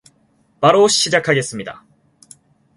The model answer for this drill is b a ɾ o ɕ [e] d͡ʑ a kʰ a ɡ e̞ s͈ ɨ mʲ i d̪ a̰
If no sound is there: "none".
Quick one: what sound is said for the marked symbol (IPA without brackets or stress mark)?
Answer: i